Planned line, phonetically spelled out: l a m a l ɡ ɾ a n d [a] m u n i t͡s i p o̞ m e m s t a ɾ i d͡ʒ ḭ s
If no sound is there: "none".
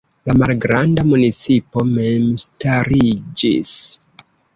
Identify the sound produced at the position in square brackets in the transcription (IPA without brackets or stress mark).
a